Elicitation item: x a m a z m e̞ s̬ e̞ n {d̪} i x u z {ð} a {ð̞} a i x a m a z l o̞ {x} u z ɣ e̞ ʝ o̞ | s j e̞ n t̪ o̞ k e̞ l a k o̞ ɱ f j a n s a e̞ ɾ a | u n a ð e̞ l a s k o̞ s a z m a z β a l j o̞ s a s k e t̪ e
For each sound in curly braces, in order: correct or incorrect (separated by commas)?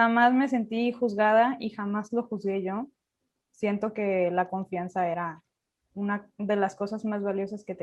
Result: incorrect, incorrect, correct, correct